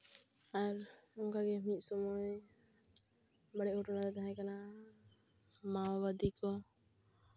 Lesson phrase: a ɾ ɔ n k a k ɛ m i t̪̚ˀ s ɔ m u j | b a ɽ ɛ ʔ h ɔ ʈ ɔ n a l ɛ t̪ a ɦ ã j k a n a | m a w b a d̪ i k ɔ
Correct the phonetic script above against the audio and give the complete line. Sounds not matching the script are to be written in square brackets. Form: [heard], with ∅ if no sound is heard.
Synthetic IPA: a ɾ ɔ [ŋ] k a [ɡ] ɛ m i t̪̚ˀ s ɔ m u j | b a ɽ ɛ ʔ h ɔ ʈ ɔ n a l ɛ t̪ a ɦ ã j k a n a | m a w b a d̪ i k ɔ